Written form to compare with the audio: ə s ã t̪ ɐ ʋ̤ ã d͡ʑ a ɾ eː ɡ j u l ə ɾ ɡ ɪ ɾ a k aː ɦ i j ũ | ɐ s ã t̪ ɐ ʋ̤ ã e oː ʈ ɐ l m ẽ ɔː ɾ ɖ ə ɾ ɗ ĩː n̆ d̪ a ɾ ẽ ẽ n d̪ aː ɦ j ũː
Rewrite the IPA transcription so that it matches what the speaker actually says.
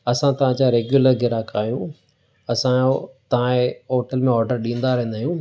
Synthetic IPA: ɐ s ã t̪ ɐ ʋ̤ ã d͡ʑ a ɾ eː ɡ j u l ə ɾ ɡ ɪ ɾ a k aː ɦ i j ũ | ɐ s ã t̪ ɐ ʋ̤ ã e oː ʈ ə l m ẽ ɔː ɾ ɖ ə ɾ ɗ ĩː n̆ d̪ a ɾ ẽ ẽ n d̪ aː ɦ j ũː